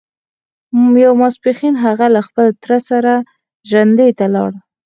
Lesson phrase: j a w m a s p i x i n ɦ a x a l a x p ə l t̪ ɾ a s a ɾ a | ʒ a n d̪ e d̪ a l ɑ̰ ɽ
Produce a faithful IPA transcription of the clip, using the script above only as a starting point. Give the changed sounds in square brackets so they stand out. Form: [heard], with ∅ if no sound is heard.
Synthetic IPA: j a w m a s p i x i n ɦ a [ɣ] a l a x p ə l t̪ ɾ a s a ɾ a | ʒ a n d̪ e [t̪] a l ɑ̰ ɽ